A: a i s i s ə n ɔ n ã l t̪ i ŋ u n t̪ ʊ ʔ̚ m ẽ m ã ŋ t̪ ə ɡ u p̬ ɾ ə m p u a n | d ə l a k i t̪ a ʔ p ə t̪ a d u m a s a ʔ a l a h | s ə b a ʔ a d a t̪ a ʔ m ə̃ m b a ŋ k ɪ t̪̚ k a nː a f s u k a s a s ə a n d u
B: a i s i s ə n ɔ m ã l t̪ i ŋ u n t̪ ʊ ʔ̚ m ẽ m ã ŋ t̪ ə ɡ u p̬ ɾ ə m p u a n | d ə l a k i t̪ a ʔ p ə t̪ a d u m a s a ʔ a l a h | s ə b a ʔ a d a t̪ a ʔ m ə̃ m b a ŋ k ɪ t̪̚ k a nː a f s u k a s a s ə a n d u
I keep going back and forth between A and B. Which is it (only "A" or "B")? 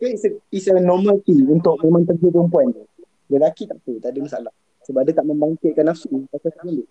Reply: B